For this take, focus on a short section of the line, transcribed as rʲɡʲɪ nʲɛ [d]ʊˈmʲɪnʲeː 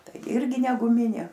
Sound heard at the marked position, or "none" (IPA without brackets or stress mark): ɡ